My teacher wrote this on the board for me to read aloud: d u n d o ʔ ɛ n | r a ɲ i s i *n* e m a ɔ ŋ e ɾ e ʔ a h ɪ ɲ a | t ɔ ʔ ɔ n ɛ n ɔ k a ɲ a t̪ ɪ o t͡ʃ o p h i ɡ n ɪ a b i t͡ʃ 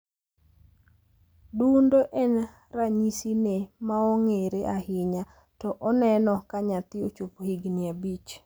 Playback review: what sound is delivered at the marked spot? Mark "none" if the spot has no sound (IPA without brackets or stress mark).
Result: n